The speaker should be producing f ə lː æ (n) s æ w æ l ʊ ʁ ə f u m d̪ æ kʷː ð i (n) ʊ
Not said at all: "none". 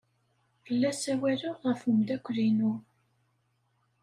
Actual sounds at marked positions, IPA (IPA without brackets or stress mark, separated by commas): none, n